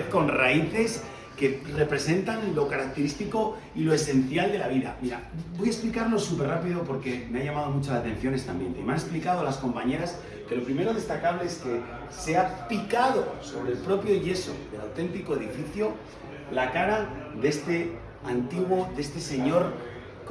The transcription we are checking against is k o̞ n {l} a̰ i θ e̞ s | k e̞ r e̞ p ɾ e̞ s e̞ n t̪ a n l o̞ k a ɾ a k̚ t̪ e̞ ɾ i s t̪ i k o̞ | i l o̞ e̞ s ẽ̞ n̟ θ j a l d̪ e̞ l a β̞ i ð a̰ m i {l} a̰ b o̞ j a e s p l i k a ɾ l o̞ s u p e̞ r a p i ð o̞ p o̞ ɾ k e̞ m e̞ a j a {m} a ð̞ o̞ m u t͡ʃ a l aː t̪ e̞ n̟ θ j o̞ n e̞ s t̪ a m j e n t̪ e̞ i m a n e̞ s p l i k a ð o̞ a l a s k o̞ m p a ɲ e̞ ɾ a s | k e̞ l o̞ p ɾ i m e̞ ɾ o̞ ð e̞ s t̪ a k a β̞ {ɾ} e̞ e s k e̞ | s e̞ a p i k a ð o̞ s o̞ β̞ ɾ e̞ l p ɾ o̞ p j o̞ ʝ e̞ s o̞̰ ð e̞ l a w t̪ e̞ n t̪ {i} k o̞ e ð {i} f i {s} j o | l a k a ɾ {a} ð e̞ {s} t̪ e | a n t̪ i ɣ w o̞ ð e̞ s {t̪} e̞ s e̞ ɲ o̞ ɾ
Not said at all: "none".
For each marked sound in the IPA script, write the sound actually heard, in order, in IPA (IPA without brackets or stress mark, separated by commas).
r, ɾ, m, l, i, i, θ, a, s, t̪